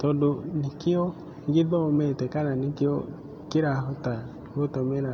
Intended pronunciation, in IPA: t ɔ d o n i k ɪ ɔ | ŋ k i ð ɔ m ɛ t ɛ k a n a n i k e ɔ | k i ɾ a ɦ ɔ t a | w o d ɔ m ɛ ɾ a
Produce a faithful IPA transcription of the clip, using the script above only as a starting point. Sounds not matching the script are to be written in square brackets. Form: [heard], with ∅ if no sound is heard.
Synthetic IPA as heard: t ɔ d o n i k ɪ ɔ | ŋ [ɡ] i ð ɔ m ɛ t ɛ k a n a n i k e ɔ | k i ɾ a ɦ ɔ t a | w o [t] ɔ m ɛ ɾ a